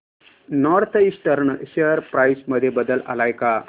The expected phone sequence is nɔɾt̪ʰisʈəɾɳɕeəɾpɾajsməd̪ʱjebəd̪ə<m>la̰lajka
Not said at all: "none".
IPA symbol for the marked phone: none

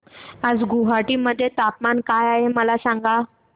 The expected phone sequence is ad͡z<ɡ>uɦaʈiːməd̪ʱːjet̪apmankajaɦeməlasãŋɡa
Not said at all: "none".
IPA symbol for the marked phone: ɡ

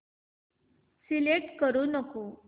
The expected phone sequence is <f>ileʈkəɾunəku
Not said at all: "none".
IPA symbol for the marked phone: s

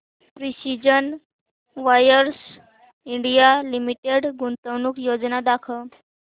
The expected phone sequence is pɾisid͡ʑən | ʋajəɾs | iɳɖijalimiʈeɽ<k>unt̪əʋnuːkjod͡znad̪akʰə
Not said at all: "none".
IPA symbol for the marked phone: ɡ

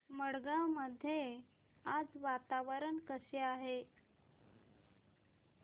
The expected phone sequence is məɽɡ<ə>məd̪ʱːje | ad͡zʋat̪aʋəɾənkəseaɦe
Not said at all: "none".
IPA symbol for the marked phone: a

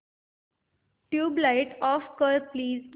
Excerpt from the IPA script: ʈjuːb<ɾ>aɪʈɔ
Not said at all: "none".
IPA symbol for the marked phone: l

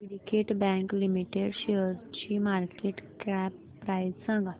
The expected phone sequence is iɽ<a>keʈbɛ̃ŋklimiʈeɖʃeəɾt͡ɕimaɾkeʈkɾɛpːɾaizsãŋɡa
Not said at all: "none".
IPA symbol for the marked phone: i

